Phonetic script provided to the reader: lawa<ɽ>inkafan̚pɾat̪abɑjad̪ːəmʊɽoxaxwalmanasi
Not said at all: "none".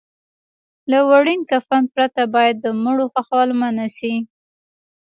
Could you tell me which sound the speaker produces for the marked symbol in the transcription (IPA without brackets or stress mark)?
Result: ɽ